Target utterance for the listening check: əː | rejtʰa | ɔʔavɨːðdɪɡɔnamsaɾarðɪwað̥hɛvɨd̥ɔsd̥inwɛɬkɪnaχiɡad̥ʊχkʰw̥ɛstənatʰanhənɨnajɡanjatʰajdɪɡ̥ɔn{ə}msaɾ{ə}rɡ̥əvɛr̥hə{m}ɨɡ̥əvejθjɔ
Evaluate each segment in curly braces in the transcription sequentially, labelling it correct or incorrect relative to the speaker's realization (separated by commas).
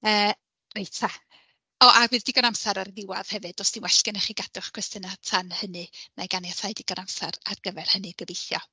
incorrect, incorrect, incorrect